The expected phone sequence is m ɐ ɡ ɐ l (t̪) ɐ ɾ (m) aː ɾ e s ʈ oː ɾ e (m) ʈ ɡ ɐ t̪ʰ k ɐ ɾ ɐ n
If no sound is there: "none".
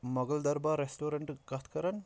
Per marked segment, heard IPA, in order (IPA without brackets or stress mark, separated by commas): d̪, b, ɳ